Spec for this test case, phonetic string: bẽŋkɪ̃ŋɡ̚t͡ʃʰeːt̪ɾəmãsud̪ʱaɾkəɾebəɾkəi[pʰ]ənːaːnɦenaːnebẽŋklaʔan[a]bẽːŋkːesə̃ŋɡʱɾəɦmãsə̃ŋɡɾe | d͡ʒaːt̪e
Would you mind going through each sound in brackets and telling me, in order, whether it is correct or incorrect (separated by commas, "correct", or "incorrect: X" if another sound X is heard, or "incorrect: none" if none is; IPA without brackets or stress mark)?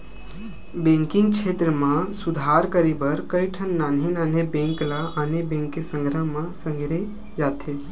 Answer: incorrect: ʈʰ, incorrect: e